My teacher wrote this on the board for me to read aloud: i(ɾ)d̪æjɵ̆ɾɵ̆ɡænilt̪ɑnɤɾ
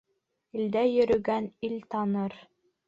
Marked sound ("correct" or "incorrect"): incorrect